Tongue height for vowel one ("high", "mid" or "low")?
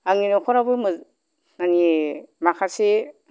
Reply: low